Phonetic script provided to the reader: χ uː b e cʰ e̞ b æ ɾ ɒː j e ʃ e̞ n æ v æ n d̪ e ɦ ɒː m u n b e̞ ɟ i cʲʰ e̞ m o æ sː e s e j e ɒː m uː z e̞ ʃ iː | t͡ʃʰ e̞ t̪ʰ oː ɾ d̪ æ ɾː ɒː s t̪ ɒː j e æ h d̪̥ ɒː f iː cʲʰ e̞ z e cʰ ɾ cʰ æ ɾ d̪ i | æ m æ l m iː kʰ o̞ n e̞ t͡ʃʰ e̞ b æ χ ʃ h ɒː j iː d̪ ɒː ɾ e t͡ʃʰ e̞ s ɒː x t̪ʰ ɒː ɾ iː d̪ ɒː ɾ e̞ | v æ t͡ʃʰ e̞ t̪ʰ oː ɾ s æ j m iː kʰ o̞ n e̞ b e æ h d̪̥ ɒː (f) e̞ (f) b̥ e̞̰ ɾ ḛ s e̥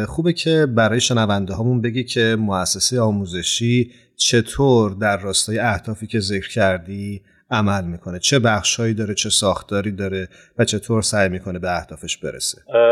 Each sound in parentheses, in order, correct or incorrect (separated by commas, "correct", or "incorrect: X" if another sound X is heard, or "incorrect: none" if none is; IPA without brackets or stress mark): correct, incorrect: ʃ